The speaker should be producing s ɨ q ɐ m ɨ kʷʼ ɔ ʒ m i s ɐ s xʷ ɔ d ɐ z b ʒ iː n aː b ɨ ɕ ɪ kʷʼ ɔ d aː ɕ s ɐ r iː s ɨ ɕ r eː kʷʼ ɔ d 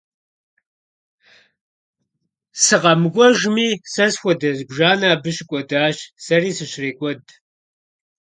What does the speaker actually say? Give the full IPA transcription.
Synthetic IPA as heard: s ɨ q ɐ m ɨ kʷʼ ɔ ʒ m iː s ɐ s xʷ ɔ d ɐ z b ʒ aː n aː b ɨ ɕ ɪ kʷʼ ɔ d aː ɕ s ɐ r iː s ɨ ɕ r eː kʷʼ ɔ d

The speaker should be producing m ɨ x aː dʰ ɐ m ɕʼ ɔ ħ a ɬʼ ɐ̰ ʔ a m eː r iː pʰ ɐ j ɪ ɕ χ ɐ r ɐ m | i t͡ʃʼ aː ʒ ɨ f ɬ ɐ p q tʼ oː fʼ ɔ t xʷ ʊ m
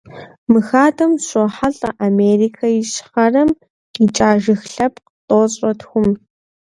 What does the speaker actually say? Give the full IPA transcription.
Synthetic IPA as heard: m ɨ x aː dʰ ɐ m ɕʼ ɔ ħ a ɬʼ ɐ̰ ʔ a m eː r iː kʰ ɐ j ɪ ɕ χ ɐ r ɐ m | i t͡ʃʼ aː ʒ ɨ x ɬ ɐ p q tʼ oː ɕʼ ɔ t xʷ ʊ m

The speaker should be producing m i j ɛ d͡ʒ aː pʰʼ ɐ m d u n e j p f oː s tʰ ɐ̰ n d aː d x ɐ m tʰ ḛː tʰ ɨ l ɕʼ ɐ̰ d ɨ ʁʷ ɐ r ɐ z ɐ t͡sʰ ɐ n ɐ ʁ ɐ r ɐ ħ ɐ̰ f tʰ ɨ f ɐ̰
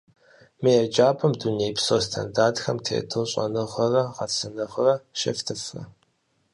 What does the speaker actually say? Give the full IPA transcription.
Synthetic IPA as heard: m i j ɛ d͡ʒ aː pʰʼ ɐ m d u n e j p s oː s tʰ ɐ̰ n d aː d x ɐ m tʰ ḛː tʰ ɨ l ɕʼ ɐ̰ n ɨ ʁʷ ɐ r ɐ ʁ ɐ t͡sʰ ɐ n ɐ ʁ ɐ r ɐ ʃ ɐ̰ f tʰ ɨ f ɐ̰

